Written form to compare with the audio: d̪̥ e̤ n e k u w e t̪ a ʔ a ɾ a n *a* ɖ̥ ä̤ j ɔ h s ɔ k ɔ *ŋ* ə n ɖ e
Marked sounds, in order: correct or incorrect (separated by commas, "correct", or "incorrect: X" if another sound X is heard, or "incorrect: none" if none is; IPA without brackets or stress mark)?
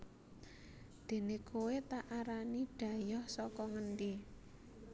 incorrect: i, correct